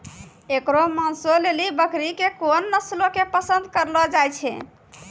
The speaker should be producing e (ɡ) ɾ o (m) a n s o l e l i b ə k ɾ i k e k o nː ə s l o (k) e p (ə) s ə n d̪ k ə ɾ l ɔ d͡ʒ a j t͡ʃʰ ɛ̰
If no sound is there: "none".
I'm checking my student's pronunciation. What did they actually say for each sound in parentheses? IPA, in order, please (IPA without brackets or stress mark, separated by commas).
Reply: k, m, k, ə